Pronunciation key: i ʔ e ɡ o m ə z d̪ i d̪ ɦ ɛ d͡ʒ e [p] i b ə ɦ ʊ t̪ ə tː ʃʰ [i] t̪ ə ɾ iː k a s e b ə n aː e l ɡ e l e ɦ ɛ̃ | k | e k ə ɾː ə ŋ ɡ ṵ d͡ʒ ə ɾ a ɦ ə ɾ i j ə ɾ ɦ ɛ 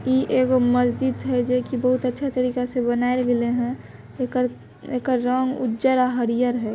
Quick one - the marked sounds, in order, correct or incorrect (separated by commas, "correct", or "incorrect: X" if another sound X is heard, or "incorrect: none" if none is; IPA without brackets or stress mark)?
incorrect: k, incorrect: a